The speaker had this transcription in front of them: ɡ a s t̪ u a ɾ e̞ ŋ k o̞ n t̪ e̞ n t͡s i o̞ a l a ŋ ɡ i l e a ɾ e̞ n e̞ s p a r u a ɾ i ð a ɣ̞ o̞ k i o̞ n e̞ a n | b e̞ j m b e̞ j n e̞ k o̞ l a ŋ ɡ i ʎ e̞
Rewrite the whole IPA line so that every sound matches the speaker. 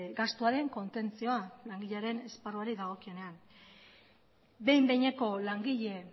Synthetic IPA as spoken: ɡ a s t̪ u a ɾ e̞ ŋ k o̞ n t̪ e̞ n t͡s i o̞ a l a ŋ ɡ i ʎ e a ɾ e̞ n e̞ s p a r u a ɾ i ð a ɣ̞ o̞ k i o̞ n e̞ a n | b e̞ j m b e̞ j ɲ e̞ k o̞ l a ŋ ɡ i ʎ e̞